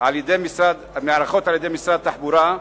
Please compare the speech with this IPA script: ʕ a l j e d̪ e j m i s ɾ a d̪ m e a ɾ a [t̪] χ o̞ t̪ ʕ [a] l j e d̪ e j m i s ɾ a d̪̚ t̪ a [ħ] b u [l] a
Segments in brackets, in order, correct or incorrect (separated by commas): incorrect, correct, correct, incorrect